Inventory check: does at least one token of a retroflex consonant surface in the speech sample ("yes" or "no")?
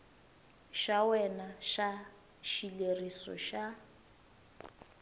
no